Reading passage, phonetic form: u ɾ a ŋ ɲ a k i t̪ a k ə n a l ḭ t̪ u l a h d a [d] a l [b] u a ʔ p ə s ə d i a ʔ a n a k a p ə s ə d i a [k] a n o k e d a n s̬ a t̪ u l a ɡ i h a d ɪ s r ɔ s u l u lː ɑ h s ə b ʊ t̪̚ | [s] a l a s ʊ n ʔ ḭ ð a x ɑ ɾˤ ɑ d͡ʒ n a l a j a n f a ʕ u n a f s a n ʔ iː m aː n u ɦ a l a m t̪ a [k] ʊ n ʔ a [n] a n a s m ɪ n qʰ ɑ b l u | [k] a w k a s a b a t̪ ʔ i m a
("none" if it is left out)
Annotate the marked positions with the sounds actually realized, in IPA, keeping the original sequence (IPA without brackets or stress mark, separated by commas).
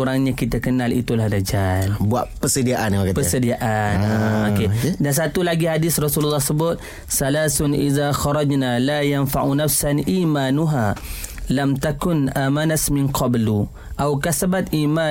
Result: d͡ʒ, b, ʔ, s, k, m, ʔ